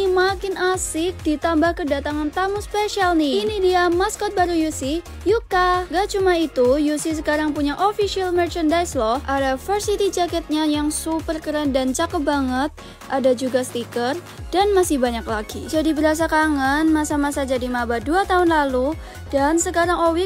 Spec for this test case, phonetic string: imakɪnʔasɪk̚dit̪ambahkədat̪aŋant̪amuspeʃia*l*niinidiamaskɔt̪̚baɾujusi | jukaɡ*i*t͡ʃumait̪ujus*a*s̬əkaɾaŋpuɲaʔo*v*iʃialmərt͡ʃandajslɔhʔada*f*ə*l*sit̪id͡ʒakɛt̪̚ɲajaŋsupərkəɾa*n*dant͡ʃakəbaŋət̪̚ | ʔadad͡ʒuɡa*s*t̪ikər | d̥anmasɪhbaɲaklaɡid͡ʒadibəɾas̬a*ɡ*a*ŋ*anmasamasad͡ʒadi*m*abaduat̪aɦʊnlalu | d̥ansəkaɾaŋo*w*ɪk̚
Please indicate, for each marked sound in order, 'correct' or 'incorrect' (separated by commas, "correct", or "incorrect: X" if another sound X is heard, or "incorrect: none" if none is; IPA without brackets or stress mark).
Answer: correct, incorrect: a, incorrect: i, incorrect: f, correct, incorrect: r, correct, correct, incorrect: k, correct, correct, correct